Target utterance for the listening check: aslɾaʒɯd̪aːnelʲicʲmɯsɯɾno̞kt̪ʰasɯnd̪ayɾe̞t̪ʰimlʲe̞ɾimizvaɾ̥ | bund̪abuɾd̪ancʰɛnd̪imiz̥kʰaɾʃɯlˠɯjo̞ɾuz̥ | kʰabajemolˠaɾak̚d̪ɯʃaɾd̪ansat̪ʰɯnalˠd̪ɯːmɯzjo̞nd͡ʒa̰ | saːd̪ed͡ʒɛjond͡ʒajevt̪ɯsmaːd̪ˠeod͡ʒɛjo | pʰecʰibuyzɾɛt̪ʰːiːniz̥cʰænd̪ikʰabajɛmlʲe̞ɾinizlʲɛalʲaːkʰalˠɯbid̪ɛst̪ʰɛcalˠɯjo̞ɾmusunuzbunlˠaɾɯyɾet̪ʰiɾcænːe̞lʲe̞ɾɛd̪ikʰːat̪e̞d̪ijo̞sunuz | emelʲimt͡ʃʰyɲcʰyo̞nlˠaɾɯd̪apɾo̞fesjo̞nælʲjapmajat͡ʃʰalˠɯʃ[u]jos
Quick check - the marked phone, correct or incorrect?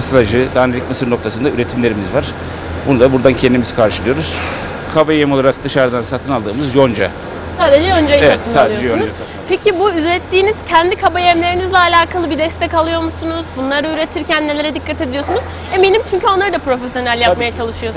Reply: incorrect